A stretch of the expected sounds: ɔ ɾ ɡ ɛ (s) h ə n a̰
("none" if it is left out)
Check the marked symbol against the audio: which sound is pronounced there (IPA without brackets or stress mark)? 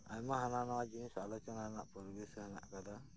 s